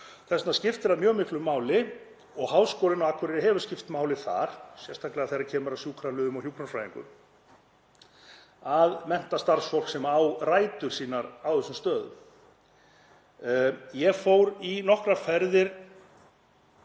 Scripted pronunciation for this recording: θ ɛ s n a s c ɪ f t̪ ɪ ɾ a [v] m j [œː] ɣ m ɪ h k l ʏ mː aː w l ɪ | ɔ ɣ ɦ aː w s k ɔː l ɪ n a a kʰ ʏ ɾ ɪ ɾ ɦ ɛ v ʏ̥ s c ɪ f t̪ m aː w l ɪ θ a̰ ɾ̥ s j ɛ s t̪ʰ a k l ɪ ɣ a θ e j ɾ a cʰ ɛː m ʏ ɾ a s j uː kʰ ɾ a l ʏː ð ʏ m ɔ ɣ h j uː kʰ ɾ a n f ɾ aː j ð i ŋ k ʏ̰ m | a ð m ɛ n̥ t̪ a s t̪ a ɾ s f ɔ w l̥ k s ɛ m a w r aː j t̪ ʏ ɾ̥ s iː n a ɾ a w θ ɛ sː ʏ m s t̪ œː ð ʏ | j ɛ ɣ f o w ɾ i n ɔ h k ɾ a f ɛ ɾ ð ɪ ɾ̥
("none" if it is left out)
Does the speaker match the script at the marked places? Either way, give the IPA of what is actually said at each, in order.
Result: ð, œː

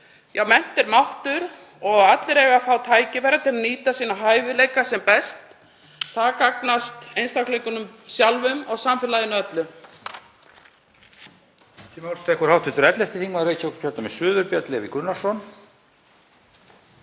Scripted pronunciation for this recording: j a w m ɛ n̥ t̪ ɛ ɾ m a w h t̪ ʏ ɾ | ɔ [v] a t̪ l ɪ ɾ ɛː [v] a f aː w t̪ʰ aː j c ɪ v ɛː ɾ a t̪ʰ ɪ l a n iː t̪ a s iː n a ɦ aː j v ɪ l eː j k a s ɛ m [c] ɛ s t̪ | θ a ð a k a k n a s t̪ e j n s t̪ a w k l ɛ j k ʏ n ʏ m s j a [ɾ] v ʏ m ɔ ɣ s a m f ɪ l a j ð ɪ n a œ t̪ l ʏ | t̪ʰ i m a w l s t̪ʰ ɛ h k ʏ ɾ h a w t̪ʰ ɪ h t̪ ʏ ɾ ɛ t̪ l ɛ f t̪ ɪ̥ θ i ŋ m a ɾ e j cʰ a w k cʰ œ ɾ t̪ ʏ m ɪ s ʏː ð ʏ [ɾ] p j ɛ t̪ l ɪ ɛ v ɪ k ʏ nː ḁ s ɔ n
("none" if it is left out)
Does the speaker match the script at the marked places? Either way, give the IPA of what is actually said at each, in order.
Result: ɣ, ɣ, p, l, ɾ

